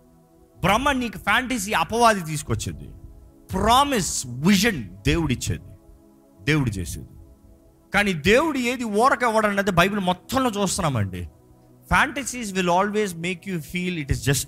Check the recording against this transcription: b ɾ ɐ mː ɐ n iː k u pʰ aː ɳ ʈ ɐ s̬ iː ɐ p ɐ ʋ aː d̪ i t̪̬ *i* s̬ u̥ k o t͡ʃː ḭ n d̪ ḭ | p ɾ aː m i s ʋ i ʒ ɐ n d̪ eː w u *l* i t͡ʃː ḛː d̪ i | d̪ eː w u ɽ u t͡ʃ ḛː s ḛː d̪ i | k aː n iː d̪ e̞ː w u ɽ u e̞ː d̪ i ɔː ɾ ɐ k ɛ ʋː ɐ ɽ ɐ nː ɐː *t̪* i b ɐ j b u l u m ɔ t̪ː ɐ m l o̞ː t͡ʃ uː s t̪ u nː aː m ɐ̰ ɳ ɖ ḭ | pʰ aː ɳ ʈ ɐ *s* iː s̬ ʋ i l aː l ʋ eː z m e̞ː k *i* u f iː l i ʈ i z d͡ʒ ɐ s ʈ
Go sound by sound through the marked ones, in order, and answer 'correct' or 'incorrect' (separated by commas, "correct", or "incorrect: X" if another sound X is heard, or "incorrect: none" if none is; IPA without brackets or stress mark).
incorrect: iː, incorrect: ɽ, incorrect: d̪, correct, incorrect: j